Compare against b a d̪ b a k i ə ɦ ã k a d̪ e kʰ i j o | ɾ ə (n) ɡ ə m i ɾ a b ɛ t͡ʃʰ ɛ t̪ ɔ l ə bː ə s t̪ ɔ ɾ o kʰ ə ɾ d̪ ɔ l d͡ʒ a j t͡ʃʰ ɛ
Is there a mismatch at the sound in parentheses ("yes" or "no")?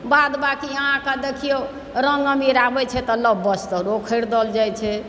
yes